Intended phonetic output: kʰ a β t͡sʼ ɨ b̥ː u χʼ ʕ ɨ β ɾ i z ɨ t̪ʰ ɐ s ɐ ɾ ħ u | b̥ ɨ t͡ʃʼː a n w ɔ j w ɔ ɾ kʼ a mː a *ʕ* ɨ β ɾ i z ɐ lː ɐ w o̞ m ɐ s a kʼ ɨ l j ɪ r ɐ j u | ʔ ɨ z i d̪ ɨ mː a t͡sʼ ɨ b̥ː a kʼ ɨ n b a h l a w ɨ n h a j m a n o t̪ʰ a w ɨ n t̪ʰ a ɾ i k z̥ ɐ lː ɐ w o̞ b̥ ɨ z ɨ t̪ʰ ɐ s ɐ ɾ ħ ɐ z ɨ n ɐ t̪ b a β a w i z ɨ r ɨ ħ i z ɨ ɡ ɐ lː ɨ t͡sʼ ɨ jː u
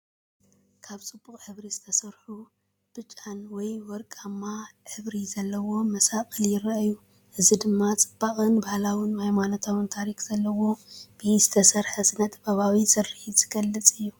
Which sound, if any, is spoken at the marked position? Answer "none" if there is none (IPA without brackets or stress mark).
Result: ʕ